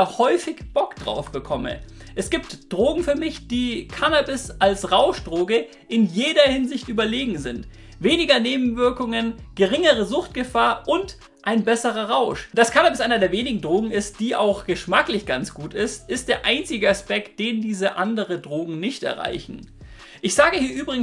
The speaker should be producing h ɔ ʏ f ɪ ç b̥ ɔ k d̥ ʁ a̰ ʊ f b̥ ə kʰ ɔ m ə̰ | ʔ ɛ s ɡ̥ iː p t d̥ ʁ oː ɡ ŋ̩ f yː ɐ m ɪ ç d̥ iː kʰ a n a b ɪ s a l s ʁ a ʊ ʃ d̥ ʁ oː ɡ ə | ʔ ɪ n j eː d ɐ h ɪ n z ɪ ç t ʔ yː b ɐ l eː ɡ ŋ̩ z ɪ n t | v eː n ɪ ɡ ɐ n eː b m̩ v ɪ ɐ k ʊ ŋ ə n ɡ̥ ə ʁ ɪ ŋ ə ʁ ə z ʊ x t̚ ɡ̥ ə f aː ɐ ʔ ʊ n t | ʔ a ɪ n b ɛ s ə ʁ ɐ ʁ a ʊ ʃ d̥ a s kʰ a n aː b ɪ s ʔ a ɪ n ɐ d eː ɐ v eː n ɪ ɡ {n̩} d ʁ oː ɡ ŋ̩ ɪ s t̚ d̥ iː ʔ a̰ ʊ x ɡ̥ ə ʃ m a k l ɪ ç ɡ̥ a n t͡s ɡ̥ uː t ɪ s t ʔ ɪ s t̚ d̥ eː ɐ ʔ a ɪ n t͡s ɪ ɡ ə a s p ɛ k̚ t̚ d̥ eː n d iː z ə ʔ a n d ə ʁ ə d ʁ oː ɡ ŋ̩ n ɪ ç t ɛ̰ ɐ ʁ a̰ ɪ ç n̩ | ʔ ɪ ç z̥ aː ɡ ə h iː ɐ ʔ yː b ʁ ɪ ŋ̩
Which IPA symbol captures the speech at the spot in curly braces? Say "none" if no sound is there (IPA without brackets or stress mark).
ŋ̩